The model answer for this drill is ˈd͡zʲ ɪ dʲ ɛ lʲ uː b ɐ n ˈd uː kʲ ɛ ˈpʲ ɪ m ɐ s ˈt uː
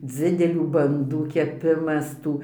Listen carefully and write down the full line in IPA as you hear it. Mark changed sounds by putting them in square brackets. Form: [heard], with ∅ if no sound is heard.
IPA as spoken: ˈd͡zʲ ɪ dʲ ɛ lʲ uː b ɐ n ˈd uː kʲ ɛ ˈpʲ ɪ m ɐ s ˈt uː